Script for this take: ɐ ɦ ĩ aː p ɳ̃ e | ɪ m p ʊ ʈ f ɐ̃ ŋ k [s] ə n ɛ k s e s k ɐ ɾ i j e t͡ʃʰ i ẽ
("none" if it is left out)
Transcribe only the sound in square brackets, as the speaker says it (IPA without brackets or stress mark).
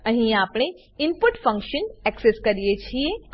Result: ʃ